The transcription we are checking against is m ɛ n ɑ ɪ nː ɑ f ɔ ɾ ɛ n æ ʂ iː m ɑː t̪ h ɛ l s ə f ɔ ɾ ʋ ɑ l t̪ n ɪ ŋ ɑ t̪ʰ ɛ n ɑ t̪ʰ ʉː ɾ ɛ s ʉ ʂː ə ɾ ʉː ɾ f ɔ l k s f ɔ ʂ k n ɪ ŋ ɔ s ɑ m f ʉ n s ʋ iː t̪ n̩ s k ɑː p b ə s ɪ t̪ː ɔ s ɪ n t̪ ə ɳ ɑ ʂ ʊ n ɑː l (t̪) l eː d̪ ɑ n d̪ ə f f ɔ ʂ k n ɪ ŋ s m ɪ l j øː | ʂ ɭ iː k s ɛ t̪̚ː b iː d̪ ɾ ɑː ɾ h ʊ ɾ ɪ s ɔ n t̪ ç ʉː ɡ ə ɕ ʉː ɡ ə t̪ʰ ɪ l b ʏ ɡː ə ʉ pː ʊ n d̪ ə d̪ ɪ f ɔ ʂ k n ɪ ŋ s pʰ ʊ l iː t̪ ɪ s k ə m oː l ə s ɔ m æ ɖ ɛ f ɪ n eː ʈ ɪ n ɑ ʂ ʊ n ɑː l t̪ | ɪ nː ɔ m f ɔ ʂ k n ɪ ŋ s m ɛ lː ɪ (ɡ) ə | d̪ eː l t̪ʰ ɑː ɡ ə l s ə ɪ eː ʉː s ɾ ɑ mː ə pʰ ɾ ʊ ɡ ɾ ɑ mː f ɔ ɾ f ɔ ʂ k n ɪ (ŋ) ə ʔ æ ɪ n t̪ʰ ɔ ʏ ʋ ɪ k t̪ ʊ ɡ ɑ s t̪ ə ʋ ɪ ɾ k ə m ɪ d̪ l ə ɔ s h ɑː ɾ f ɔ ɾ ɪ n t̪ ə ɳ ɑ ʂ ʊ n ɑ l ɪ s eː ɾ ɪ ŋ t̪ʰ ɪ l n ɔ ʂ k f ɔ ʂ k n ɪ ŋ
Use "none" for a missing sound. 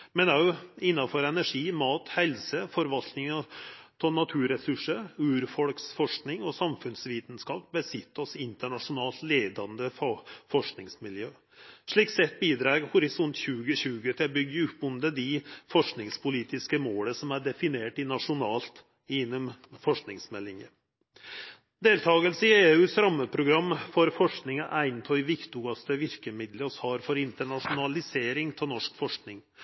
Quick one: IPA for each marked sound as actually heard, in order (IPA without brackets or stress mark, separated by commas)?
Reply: t̪, ŋ, ŋ